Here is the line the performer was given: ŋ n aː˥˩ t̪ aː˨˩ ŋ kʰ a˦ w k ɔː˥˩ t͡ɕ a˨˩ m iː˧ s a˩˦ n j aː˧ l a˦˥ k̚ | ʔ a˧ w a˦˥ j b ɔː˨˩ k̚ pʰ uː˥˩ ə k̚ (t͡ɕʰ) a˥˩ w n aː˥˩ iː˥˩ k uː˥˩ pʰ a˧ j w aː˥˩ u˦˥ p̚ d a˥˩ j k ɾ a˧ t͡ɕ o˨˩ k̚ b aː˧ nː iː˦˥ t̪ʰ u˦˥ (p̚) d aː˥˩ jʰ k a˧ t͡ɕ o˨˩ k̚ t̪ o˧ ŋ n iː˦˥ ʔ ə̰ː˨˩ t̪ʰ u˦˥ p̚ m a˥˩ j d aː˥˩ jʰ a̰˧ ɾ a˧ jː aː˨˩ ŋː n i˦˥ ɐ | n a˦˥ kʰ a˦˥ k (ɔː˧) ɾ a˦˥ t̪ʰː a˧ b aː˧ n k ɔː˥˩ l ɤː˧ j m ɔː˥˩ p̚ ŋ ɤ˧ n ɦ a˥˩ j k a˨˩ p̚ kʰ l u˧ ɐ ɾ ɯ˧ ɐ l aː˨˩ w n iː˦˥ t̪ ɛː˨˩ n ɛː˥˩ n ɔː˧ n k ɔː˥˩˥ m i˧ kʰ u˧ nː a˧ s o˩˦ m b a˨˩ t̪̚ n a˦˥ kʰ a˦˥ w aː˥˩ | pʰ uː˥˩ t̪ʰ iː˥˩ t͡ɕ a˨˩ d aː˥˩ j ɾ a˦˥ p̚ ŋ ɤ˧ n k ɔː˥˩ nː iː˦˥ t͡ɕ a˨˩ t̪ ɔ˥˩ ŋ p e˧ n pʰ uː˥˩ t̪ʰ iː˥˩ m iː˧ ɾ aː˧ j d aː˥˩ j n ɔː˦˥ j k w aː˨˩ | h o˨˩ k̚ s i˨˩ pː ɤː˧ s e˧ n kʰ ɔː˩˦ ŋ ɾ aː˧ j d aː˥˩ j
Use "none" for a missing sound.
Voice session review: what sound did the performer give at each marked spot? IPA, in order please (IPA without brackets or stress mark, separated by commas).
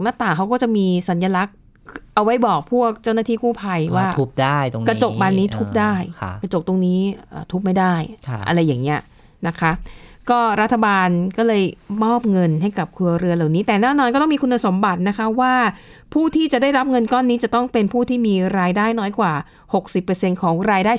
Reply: t͡ɕ, p̚, ɔː˥˩